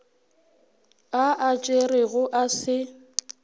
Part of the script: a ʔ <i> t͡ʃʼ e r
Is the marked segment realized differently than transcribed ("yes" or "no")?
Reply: yes